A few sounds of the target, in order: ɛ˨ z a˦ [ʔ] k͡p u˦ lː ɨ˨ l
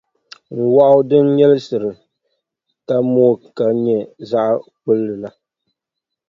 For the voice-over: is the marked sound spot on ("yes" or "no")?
yes